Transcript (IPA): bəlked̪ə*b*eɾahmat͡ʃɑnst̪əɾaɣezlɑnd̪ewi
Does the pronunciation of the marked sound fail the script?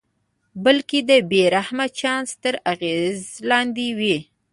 no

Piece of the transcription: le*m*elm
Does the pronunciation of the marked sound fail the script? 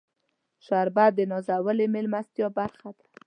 no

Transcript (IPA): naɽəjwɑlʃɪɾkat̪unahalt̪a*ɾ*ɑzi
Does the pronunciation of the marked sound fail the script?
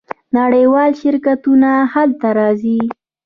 no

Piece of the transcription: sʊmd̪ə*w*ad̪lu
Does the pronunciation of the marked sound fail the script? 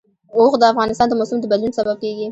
yes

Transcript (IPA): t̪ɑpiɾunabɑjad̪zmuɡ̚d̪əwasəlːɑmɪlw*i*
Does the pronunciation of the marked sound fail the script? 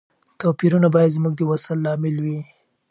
no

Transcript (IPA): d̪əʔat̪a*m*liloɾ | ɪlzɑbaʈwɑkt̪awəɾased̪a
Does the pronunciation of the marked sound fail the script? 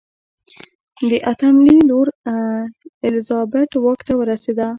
no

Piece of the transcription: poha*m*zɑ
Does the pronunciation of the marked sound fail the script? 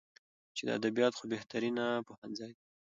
yes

